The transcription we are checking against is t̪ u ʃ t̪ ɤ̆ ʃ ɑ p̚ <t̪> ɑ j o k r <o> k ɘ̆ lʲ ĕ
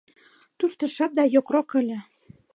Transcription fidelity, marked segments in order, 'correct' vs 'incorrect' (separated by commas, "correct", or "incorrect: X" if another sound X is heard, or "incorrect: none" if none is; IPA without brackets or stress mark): incorrect: d̪, correct